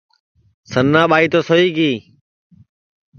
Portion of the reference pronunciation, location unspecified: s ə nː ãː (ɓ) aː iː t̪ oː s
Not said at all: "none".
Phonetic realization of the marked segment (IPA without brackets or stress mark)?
ɓ